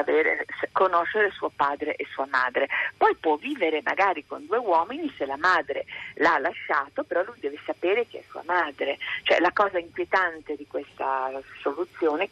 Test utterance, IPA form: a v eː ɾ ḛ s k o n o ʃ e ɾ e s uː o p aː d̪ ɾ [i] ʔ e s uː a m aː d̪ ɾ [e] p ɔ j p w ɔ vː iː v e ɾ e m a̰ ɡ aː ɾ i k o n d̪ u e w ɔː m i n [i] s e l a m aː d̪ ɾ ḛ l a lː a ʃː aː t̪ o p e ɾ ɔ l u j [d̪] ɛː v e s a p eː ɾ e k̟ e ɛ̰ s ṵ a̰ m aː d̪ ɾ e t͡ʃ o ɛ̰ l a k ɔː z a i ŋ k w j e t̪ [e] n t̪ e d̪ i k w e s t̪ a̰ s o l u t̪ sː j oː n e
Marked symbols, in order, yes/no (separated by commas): no, yes, yes, yes, no